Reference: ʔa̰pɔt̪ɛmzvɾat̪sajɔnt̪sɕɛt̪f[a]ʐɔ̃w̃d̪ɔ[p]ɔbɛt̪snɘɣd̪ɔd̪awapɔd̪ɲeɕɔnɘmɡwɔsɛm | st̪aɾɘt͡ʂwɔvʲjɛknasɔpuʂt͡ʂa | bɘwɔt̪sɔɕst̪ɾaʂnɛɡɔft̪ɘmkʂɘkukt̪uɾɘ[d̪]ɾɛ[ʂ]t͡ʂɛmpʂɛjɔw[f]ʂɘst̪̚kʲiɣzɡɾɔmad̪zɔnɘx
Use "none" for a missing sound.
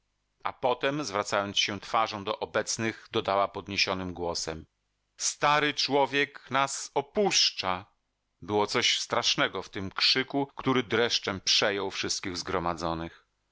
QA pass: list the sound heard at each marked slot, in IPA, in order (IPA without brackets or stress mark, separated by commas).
a, ʔ, d̪, ʂ, f